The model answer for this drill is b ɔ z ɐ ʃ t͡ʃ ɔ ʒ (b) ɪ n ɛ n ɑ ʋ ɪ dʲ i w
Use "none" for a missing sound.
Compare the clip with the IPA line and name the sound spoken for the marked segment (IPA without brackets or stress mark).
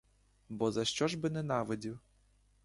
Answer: b